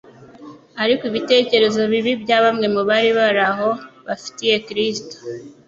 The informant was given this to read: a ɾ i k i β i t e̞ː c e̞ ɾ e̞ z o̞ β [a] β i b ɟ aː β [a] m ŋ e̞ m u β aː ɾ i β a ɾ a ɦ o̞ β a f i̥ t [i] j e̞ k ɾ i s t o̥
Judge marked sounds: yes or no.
no, yes, yes

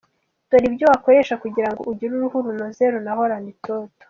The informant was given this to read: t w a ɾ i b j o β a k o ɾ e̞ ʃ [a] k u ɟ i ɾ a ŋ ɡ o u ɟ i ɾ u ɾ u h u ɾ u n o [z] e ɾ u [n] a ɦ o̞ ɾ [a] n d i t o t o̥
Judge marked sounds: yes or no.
yes, yes, yes, yes

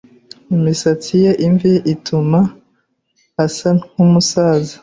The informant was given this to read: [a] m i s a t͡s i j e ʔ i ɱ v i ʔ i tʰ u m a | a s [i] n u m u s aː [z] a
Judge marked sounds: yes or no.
no, no, yes

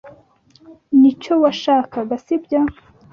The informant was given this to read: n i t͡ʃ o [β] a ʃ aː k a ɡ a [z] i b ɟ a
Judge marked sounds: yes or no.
no, no

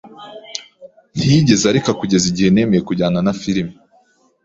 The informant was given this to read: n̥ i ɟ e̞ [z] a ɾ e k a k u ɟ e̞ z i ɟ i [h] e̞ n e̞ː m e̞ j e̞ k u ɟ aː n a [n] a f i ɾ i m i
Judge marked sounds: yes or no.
yes, yes, yes

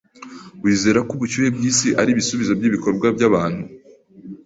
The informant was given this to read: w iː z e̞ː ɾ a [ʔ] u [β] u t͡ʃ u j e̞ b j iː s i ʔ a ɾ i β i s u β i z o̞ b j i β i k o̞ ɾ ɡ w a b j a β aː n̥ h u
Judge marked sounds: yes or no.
no, yes

